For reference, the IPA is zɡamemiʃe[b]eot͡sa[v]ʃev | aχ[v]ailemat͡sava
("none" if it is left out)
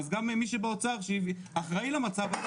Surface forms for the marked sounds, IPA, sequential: b, ʁ, ʁ

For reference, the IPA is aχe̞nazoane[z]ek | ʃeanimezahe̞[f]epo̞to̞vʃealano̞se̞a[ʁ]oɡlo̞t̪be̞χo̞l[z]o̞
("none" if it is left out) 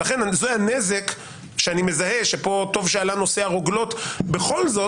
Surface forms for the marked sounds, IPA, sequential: z, ʃ, ʁ, z

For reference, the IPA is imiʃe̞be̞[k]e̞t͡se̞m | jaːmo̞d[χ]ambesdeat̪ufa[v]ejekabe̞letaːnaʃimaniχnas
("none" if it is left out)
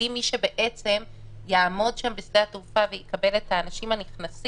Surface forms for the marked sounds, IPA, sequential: ʔ, ʃ, v

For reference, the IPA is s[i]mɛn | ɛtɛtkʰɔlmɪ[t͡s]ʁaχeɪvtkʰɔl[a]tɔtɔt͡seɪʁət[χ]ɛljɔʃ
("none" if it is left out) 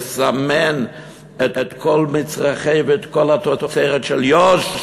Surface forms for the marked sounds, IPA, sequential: a, t͡s, a, ʃ

